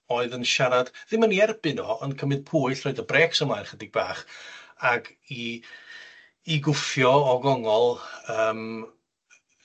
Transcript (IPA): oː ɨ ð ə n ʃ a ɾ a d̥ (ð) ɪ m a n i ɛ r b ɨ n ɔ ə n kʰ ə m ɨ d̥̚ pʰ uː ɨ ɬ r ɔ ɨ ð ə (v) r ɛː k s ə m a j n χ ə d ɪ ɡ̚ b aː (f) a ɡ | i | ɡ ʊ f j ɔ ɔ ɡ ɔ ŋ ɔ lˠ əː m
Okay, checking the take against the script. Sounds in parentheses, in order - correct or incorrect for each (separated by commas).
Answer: correct, incorrect, incorrect